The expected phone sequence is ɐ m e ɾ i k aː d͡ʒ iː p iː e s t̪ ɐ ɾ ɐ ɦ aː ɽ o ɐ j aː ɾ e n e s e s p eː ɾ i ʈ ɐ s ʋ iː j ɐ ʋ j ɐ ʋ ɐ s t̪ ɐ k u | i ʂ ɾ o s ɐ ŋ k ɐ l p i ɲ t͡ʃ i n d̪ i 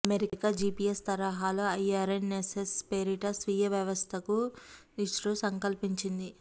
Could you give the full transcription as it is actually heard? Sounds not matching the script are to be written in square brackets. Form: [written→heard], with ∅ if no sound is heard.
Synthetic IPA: ɐ m e ɾ i k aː d͡ʒ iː p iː e s t̪ ɐ ɾ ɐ ɦ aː [ɽ→l] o ɐ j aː ɾ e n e s e s p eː ɾ i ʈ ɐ s ʋ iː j ɐ ʋ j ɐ ʋ ɐ s [t̪→t̪ʰ] ɐ k u | i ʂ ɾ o s ɐ ŋ k ɐ l p i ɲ t͡ʃ i n d̪ i